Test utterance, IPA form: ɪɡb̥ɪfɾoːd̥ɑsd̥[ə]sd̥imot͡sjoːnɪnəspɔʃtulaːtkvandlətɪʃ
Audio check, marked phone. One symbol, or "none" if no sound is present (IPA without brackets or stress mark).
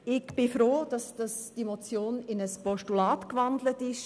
ɑ